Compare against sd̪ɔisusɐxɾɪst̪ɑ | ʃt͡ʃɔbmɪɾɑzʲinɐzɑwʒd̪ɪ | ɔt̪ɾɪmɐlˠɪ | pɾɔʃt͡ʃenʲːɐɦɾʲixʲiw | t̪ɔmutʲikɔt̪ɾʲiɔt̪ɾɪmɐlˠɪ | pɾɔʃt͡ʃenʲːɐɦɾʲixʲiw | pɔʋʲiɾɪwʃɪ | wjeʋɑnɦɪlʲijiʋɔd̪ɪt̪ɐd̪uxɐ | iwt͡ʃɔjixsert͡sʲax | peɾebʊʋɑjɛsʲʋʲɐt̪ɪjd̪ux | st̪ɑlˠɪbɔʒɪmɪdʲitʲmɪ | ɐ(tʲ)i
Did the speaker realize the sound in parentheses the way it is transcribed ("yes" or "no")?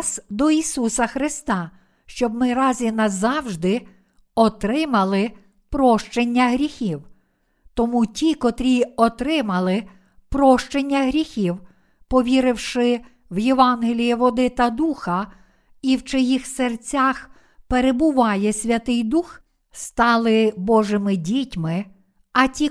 yes